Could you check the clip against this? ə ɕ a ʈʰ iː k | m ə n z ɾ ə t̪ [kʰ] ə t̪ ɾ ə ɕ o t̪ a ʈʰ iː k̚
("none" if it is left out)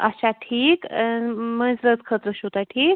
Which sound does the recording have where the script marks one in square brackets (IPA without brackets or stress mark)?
kʰ